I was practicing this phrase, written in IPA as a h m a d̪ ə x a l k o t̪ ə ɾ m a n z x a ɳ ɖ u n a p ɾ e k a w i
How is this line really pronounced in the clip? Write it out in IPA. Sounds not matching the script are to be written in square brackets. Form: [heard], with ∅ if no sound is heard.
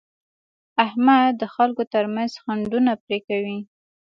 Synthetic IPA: a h m a d̪ ə x a l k o t̪ ə ɾ m a n z x a ɳ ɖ u n a p ɾ e k a w i